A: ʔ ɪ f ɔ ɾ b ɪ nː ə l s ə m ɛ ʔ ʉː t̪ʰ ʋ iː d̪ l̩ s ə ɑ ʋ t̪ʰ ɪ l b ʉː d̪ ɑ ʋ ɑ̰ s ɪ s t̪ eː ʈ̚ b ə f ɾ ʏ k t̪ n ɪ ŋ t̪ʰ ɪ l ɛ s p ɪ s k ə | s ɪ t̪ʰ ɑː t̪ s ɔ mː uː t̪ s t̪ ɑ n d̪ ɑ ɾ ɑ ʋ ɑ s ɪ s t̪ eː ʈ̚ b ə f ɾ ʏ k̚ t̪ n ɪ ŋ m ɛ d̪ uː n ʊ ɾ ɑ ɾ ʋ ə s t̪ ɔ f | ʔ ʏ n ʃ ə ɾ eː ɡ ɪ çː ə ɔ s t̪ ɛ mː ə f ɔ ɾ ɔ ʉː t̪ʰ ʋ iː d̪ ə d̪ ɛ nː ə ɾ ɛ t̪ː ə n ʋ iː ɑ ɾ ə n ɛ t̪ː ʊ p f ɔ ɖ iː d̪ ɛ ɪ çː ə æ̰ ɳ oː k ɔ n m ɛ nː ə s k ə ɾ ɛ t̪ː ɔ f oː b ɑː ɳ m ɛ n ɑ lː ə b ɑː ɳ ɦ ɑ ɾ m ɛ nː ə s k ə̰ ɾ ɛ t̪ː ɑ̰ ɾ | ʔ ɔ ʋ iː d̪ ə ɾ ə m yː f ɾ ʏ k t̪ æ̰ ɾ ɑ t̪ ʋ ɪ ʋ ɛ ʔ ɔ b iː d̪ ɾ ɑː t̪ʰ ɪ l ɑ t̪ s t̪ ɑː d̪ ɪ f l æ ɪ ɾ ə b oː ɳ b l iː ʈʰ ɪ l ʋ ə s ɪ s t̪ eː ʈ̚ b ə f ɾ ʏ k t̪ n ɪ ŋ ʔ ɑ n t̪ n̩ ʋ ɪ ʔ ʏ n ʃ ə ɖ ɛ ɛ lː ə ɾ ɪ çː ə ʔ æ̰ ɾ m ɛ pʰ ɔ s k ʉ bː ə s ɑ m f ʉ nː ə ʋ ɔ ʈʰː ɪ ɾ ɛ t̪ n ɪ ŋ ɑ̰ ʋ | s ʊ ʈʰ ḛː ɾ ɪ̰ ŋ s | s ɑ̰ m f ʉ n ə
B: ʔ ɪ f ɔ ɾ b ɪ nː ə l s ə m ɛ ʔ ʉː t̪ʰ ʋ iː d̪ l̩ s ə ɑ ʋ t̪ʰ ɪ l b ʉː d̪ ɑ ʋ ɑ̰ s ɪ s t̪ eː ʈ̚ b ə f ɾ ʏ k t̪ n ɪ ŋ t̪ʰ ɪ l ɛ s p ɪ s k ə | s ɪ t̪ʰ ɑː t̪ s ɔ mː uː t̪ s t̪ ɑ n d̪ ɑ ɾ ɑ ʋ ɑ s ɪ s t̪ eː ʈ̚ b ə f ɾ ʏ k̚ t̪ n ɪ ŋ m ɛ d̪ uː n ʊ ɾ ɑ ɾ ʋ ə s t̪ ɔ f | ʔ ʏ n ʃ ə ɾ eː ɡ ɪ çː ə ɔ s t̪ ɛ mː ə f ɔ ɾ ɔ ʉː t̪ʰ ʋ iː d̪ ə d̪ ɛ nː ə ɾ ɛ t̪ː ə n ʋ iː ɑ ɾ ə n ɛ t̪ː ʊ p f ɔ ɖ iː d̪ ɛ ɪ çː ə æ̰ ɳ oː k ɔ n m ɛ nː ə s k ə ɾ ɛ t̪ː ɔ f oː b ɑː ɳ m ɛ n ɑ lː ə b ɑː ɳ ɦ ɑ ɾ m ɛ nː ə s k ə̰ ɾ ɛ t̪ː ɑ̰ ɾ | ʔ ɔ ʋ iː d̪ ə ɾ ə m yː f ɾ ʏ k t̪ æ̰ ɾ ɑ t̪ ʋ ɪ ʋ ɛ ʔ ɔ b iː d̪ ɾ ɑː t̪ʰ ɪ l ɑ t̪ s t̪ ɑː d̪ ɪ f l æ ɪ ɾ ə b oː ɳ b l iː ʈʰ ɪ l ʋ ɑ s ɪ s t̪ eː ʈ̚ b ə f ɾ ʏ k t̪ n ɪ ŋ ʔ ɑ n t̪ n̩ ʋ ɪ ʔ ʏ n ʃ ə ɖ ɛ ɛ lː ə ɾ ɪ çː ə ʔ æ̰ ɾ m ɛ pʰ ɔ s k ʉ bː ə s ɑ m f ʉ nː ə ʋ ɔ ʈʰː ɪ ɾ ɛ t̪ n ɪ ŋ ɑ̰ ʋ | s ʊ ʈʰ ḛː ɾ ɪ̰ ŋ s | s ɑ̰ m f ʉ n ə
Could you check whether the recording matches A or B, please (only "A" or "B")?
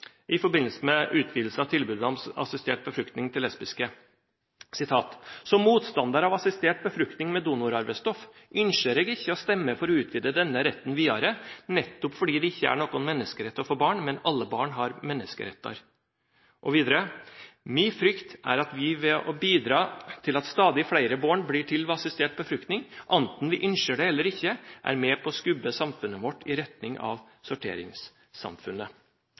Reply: B